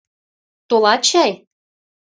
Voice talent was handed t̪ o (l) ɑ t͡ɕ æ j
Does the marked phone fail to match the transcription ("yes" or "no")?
no